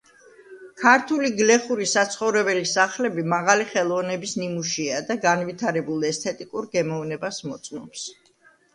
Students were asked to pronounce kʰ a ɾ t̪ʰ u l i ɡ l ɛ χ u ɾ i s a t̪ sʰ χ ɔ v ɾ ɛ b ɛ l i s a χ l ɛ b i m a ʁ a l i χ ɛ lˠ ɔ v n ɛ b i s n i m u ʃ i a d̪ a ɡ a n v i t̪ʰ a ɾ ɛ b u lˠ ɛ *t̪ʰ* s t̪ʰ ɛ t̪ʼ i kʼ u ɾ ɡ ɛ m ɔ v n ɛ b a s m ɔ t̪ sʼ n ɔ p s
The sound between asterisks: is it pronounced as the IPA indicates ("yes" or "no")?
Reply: no